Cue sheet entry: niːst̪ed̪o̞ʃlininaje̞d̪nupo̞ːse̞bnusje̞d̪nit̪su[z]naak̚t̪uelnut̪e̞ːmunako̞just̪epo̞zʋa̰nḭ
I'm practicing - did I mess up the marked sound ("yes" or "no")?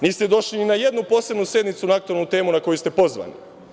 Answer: yes